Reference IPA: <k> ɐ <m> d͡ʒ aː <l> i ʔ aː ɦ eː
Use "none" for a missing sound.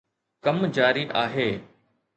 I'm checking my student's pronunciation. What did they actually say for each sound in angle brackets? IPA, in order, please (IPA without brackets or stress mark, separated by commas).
k, m, ɾ